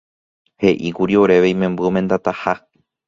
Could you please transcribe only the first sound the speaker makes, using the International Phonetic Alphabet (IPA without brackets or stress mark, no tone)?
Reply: h